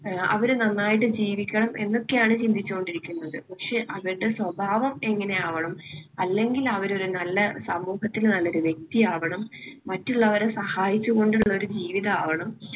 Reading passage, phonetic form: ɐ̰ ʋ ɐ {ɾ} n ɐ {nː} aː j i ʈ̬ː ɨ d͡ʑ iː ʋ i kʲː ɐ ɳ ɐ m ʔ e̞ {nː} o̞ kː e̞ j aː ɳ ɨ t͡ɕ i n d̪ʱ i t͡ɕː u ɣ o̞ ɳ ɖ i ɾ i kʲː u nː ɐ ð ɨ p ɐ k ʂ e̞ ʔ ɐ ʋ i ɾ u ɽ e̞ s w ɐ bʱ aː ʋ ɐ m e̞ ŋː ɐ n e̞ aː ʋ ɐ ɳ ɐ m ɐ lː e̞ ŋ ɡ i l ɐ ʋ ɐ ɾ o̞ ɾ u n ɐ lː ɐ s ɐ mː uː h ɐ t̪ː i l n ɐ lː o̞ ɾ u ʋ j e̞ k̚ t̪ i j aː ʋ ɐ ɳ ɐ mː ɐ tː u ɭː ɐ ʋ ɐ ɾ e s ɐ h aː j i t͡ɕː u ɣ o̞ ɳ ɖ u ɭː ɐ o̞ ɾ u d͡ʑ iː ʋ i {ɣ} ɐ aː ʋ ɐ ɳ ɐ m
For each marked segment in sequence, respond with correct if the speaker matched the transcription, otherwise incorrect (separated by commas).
correct, correct, correct, incorrect